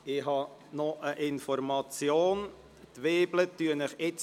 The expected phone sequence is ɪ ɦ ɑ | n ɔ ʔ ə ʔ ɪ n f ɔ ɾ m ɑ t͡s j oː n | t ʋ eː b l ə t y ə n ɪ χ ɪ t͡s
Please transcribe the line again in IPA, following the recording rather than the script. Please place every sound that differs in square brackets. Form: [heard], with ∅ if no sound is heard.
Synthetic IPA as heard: ɪ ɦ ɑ | n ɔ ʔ ə ʔ ɪ n f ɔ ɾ m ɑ t͡s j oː n | t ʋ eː b l ə t y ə n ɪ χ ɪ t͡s